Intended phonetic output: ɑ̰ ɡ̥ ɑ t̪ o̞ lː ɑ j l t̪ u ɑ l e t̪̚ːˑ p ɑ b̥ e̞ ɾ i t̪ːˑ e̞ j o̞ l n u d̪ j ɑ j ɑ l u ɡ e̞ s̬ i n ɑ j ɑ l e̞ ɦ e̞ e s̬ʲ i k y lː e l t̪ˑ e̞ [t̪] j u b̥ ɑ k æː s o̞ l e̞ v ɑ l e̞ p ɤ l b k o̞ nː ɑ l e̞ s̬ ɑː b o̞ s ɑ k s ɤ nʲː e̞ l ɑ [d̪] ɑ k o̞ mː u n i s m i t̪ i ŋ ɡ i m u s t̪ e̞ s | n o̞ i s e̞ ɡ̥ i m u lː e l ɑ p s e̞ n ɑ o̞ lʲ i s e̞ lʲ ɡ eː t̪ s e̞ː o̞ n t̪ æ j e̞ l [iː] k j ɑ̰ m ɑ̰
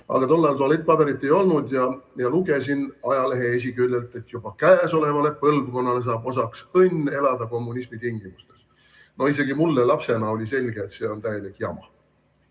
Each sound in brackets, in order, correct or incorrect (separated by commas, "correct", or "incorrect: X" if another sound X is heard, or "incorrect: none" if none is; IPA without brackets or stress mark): correct, correct, incorrect: i